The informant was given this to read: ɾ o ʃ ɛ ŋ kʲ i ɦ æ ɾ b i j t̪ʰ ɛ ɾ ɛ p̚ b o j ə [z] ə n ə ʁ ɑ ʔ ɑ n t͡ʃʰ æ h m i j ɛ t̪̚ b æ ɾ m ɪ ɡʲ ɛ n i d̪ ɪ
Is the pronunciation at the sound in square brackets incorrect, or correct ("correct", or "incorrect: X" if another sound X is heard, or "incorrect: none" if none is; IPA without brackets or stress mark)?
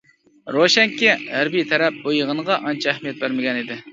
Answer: incorrect: ʁ